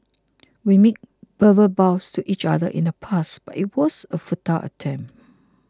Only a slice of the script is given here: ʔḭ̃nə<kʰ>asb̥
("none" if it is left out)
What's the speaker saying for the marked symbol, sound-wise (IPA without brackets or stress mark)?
pʰ